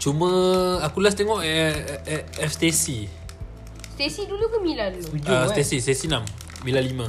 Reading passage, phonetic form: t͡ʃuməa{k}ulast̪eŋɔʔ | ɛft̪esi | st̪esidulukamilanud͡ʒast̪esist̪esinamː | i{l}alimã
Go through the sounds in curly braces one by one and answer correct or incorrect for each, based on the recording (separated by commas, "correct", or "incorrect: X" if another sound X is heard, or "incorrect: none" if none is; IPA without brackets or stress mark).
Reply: correct, correct